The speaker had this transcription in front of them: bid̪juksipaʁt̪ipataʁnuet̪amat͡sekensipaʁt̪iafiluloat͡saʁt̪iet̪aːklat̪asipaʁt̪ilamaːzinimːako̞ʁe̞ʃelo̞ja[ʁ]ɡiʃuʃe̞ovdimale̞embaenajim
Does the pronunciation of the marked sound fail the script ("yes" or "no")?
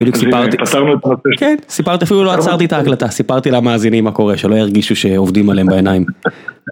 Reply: no